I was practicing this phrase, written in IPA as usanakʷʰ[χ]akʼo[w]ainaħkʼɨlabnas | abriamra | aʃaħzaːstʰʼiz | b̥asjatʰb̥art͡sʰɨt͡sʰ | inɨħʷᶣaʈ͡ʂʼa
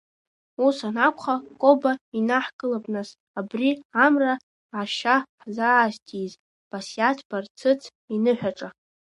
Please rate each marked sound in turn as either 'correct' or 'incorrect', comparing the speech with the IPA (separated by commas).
correct, incorrect